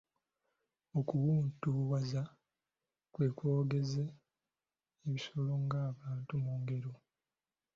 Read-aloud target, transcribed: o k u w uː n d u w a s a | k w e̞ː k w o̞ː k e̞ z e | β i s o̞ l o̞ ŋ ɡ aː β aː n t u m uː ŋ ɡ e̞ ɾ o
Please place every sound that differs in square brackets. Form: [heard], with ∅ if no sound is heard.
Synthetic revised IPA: o k u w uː n [t] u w a [z] a | k w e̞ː k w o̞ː [ɡ] e̞ z e | β i s o̞ l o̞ ŋ ɡ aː β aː n t u m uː ŋ ɡ e̞ ɾ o